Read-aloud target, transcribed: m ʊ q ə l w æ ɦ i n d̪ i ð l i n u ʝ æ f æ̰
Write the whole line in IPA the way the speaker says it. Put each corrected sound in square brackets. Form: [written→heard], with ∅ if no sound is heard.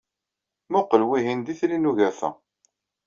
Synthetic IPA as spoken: m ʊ q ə l w [æ→i] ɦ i n d̪ i [ð→θ] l i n u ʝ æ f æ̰